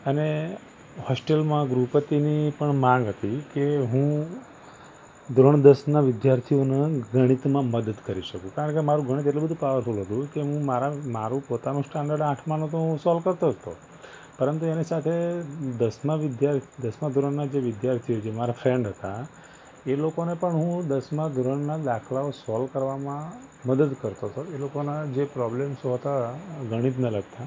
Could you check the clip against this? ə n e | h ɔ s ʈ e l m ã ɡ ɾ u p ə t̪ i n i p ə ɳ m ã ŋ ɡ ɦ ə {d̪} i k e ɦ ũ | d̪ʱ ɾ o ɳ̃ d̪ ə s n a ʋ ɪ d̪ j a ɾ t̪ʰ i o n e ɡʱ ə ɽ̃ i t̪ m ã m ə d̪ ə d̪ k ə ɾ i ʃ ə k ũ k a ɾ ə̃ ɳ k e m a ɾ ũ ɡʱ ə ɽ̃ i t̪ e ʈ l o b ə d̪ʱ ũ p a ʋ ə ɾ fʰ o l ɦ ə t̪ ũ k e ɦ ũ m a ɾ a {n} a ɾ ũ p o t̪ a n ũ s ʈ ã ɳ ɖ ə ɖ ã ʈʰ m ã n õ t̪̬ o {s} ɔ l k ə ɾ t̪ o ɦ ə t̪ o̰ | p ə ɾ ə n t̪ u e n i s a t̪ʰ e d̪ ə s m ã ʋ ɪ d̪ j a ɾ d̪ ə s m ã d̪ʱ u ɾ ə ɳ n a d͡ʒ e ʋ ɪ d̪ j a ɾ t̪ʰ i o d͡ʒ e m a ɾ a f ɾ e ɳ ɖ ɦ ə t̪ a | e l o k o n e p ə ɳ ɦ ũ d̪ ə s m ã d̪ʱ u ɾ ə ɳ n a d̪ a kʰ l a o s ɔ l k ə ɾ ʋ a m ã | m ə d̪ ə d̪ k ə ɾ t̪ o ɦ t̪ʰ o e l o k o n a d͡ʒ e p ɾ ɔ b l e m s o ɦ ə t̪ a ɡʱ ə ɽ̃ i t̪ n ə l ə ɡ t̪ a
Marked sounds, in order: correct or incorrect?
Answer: incorrect, incorrect, correct

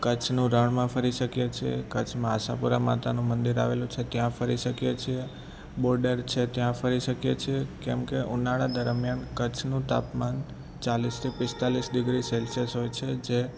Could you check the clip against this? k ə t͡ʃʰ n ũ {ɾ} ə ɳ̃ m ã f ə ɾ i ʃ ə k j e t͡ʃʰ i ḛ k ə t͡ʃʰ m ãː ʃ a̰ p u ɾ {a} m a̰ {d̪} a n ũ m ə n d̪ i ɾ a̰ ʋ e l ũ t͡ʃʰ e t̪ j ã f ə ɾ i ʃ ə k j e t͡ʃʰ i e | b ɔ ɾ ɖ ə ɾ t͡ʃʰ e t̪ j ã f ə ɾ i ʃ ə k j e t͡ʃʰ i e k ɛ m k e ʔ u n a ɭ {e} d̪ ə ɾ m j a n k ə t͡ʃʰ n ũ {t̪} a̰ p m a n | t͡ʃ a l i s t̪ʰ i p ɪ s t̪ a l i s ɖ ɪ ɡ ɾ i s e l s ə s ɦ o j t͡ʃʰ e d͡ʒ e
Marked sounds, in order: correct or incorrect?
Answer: correct, correct, incorrect, incorrect, correct

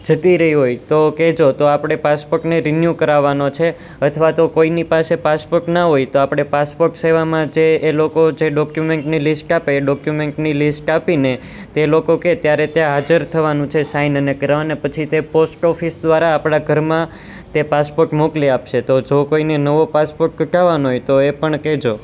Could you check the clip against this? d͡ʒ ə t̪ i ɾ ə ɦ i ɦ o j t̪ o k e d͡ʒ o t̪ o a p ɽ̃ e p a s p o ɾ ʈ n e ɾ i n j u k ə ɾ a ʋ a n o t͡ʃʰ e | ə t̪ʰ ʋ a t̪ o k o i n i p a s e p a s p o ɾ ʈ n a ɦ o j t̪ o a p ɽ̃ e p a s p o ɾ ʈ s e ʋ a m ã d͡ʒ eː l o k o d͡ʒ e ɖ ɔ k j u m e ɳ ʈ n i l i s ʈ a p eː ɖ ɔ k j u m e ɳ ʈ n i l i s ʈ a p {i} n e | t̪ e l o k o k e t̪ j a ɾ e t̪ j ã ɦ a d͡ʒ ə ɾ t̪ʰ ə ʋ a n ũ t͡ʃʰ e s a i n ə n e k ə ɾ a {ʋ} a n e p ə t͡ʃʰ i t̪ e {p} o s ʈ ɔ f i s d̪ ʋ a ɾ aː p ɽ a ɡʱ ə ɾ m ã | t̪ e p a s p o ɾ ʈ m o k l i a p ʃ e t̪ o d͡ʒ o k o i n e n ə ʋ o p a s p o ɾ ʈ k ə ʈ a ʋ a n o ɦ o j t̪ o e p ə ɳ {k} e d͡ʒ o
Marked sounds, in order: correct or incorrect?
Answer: correct, correct, correct, correct

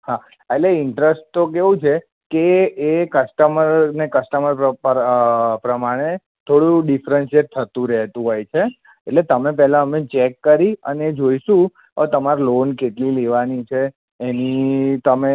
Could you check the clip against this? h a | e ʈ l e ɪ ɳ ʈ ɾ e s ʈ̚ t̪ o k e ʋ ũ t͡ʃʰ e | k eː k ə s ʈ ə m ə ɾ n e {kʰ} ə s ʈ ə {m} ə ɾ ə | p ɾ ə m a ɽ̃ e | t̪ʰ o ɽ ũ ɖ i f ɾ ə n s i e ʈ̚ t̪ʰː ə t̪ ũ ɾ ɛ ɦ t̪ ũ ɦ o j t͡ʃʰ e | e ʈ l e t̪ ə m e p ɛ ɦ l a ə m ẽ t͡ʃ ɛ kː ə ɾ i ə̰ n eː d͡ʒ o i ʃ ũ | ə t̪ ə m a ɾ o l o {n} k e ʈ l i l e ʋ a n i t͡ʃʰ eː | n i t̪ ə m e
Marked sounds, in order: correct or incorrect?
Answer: incorrect, correct, correct

